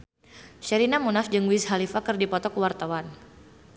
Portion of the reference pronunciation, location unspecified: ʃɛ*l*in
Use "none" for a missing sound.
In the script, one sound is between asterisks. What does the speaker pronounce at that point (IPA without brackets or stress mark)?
ɾ